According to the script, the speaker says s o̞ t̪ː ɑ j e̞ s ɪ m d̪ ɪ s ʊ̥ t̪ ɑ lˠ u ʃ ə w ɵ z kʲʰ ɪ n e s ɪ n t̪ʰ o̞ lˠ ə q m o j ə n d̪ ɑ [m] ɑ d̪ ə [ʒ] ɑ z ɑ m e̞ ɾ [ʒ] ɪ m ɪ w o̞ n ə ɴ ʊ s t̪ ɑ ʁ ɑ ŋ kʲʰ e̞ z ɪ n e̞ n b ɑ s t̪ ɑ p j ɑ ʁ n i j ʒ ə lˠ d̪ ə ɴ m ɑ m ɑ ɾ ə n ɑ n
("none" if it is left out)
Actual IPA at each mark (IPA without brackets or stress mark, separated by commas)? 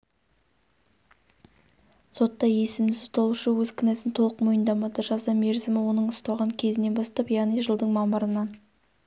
m, ʒ, z